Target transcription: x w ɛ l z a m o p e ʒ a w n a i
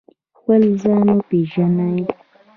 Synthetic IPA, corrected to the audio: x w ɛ l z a n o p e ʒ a n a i